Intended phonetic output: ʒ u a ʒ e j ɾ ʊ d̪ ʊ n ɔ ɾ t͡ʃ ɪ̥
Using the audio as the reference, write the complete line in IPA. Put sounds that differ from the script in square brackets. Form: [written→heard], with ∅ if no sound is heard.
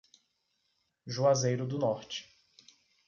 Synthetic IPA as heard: ʒ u a [ʒ→z] e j ɾ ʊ d̪ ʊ n ɔ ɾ t͡ʃ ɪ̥

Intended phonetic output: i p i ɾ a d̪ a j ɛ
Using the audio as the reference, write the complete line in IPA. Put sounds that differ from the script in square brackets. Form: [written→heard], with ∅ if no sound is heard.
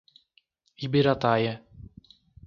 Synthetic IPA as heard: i [p→b] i ɾ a [d̪→t̪] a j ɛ

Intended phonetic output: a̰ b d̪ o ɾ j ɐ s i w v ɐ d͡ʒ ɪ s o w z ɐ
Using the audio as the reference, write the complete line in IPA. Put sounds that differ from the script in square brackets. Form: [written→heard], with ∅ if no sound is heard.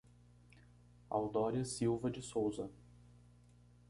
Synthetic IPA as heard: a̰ [b→w] d̪ [o→ɔ] ɾ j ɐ s i w v ɐ d͡ʒ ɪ s o w z ɐ

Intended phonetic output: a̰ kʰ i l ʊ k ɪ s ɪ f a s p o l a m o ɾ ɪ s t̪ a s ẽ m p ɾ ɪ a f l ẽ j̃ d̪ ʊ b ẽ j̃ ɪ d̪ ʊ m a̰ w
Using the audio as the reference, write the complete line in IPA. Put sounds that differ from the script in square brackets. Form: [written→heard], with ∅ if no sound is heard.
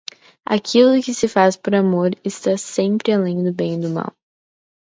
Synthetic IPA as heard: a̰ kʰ i l ʊ k ɪ s ɪ f a s p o [l→ɾ] a m o ɾ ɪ s t̪ a s ẽ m p ɾ ɪ a [f→∅] l ẽ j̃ d̪ ʊ b ẽ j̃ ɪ d̪ ʊ m a̰ w

